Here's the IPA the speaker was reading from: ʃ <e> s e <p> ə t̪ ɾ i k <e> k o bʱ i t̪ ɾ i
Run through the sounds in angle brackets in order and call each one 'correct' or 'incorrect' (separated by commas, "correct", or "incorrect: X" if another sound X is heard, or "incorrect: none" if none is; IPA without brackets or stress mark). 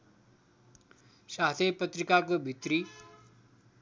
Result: incorrect: a, correct, incorrect: a